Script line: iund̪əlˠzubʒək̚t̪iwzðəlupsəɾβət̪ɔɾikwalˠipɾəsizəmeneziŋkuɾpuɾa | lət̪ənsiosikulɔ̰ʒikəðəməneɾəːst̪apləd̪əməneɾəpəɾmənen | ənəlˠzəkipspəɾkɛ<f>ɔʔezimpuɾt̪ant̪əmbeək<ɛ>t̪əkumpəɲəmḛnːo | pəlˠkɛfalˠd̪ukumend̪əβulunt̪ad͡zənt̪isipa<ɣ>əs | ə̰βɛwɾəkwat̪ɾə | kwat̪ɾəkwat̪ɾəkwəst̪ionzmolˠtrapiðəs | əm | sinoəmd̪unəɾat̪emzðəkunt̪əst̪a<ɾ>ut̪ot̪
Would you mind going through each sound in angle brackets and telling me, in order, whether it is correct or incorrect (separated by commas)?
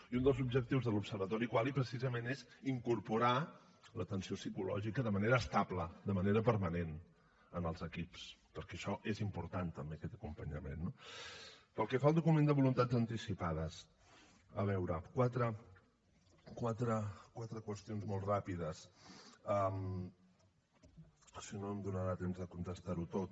incorrect, correct, incorrect, correct